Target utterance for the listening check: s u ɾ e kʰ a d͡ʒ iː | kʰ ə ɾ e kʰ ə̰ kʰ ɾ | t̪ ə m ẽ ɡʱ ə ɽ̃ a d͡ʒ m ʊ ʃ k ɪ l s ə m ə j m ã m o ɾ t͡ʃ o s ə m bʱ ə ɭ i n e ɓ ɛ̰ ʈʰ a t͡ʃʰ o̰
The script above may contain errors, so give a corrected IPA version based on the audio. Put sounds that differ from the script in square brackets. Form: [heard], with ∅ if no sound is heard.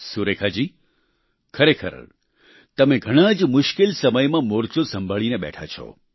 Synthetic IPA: s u ɾ e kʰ a d͡ʒ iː | kʰ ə ɾ e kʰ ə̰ [∅] ɾ | t̪ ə m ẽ ɡʱ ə ɽ̃ a d͡ʒ m ʊ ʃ k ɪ l s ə m ə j m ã m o ɾ t͡ʃ o s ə m bʱ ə ɭ i n e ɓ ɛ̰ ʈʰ a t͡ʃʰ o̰